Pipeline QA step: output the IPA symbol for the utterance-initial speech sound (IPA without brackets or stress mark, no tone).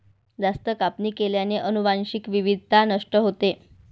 d͡z